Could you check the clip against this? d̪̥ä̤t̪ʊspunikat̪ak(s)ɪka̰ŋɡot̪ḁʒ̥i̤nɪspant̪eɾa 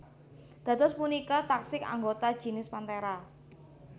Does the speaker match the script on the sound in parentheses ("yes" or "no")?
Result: yes